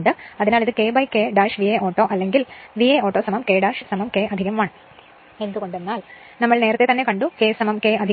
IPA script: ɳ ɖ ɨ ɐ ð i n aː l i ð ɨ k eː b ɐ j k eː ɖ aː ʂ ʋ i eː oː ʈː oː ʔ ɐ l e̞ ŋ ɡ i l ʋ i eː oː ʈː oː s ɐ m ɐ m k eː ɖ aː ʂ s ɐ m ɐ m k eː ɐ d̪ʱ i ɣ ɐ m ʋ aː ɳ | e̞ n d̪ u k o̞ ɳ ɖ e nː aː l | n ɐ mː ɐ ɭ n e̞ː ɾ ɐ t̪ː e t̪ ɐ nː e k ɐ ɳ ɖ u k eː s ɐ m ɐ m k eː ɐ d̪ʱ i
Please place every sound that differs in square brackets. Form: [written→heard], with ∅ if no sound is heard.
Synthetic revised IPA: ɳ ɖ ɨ ɐ ð i n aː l i ð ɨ k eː b ɐ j k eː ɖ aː ʂ ʋ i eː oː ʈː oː ʔ ɐ [l→lː] e̞ ŋ ɡ i l ʋ i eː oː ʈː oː s ɐ m ɐ m k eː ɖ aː ʂ s ɐ m ɐ m k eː ɐ d̪ʱ i ɣ ɐ m ʋ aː ɳ | e̞ n d̪ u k o̞ ɳ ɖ e nː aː l | n ɐ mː ɐ ɭ n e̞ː ɾ ɐ t̪ː e t̪ ɐ nː e k ɐ ɳ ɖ u k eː s ɐ m ɐ m k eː ɐ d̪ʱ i